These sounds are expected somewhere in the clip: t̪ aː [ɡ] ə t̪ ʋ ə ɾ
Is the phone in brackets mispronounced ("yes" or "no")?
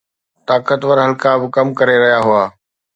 yes